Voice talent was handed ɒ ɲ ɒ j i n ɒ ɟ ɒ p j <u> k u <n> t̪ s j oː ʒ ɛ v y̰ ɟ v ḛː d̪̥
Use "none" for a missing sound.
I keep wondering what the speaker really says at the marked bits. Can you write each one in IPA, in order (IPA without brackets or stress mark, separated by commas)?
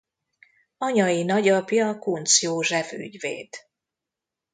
ɒ, n